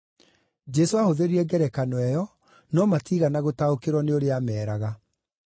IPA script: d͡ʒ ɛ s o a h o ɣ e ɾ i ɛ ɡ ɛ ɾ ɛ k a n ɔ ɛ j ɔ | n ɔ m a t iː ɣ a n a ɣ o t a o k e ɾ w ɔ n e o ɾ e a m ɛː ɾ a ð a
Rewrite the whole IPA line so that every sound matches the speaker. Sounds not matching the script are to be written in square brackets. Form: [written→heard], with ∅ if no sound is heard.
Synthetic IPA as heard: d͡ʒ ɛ s o a h o [ɣ→ð] e ɾ i ɛ ɡ ɛ ɾ ɛ k a n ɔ ɛ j ɔ | n ɔ m a t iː ɣ a n a ɣ o t a o k e ɾ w ɔ n e o ɾ e a m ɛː ɾ a [ð→ɣ] a

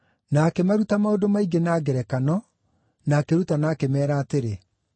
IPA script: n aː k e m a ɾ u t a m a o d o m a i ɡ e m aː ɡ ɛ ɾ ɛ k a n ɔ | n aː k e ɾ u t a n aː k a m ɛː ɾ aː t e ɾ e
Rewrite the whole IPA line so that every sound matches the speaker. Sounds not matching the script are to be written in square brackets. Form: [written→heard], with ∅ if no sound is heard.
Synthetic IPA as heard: n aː k e m a ɾ u t a m a o d o m a i ɡ e [m→n] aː ɡ ɛ ɾ ɛ k a n ɔ | n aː k e ɾ u t a n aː k [a→e] m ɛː ɾ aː t e ɾ e

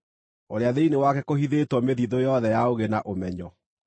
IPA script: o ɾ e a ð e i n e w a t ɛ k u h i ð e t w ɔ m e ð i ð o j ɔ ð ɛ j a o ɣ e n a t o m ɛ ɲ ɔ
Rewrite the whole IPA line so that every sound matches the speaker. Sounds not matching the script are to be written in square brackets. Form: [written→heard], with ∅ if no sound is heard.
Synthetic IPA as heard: o ɾ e a ð e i n e w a [t→k] ɛ k [u→o] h i ð e t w ɔ m e ð i ð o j ɔ ð ɛ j a o ɣ e n a [t→ʔ] o m ɛ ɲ ɔ

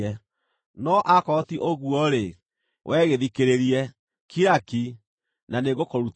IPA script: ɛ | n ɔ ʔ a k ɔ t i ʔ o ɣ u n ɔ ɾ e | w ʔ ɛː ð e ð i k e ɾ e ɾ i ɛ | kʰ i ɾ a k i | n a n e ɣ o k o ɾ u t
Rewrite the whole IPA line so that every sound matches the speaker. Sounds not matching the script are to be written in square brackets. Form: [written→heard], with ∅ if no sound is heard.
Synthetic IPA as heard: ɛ | n ɔ ʔ a k ɔ t i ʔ o ɣ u [n→∅] ɔ ɾ e | w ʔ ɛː [ð→ɣ] e ð i k e ɾ e ɾ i ɛ | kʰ i ɾ a k i | n a n e ɣ o k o ɾ u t

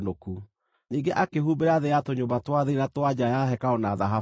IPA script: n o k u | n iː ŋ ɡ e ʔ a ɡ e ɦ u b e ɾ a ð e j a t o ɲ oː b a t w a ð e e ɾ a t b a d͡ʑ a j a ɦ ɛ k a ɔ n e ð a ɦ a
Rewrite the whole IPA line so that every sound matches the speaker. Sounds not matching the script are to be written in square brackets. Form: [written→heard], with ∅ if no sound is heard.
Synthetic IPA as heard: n o k u | n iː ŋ ɡ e ʔ a [ɡ→k] e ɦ u b e ɾ a ð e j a t o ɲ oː b a t w a ð e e ɾ a t [b→w] a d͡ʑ a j a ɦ ɛ k a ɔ n [e→a] ð a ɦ a

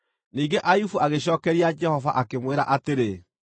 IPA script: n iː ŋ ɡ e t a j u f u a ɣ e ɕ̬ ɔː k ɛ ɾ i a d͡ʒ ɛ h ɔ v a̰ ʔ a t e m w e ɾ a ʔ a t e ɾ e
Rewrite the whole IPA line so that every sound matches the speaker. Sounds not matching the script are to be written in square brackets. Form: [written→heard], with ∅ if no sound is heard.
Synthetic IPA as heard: n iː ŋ ɡ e [t→ʔ] a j u f u a ɣ e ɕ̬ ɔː k ɛ ɾ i a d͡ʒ ɛ h ɔ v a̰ ʔ a [t→k] e m w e ɾ a ʔ a t e ɾ e

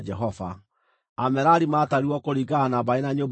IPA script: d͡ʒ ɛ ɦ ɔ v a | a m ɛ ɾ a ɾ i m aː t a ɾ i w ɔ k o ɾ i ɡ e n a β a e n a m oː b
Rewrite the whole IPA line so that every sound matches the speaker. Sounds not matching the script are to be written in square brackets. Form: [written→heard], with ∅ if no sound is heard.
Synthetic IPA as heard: d͡ʒ ɛ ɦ ɔ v a | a m ɛ ɾ a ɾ i m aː t a ɾ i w ɔ k o ɾ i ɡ [e→a] n a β a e n a [m→ɲ] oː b

